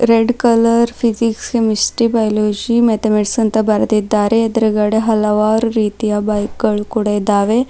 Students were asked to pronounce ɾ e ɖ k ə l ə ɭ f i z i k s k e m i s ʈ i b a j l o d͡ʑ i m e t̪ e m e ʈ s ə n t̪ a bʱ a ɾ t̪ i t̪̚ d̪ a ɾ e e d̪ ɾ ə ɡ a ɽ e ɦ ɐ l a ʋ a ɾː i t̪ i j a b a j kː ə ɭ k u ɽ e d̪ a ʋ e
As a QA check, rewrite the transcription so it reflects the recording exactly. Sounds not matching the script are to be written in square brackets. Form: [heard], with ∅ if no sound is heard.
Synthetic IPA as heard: ɾ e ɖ k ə l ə [ɾ] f i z i k s k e m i s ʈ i b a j l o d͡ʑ i m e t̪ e m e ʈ s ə n t̪ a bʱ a ɾ t̪ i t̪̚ d̪ a ɾ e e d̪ ɾ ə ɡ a ɽ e ɦ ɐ l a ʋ a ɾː i t̪ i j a b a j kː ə ɭ k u ɽ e d̪ a ʋ e